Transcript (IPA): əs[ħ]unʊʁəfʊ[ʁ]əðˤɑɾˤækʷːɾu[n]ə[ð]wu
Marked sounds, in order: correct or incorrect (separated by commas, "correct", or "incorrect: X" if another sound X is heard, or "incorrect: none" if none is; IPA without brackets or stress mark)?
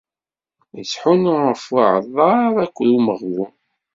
correct, incorrect: ʕ, incorrect: m, incorrect: ʁ